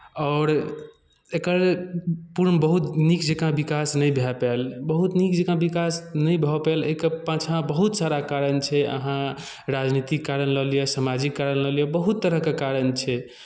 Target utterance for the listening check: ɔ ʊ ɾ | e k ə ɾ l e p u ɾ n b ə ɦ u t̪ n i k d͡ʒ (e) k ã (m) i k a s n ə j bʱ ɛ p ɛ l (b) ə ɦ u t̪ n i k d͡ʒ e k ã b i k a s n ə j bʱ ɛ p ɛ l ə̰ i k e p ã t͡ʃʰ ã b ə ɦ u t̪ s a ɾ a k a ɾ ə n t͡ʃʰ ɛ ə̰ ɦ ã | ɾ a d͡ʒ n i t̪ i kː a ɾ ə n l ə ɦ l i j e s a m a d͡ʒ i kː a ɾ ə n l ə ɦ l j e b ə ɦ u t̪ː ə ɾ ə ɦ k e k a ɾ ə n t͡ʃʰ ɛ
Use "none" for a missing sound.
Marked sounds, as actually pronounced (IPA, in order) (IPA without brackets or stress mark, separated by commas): e, b, b